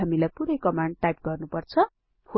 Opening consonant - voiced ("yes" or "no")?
yes